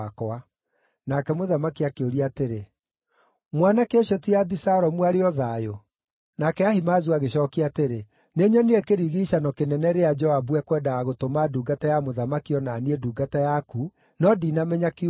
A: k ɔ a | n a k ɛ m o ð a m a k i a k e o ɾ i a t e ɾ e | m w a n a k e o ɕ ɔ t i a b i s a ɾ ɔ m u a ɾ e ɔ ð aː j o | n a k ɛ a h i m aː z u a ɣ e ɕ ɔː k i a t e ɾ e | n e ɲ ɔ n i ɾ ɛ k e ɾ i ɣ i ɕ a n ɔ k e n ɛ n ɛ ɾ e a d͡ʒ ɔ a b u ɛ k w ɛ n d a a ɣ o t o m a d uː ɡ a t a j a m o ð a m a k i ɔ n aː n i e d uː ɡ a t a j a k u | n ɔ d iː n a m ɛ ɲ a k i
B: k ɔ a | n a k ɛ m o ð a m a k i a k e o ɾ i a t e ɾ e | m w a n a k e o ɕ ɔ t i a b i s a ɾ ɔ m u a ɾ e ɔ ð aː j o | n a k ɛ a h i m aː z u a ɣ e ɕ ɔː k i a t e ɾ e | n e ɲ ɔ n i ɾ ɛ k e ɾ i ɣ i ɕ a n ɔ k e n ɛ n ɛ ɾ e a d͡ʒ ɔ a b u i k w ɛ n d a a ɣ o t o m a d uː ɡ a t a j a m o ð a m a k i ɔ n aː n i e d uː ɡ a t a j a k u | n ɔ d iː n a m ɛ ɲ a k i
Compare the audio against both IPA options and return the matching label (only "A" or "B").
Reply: A